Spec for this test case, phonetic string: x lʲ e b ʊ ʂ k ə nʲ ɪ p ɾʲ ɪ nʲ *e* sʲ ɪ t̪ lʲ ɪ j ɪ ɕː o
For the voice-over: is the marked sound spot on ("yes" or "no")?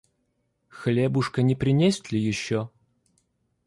yes